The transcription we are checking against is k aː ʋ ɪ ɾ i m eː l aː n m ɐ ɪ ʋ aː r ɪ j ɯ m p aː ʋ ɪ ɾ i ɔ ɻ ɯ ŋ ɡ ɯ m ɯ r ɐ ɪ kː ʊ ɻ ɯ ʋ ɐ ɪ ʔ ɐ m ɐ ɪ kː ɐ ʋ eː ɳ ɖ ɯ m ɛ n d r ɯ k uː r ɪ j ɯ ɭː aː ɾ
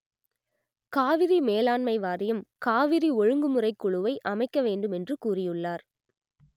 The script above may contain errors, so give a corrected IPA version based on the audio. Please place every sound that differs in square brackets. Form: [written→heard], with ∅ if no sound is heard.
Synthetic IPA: k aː ʋ ɪ ɾ i m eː l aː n m ɐ ɪ ʋ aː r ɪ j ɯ m [p→k] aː ʋ ɪ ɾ i ɔ ɻ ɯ ŋ ɡ ɯ m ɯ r ɐ ɪ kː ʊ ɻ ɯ ʋ ɐ ɪ ʔ ɐ m ɐ ɪ kː ɐ ʋ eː ɳ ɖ ɯ m ɛ n d r ɯ k uː r ɪ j ɯ ɭː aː ɾ